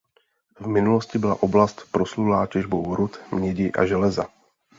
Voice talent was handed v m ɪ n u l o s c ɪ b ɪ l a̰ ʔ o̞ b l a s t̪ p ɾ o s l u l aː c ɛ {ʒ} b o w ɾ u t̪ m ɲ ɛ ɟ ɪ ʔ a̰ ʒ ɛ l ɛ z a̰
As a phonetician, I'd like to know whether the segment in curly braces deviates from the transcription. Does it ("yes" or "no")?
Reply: no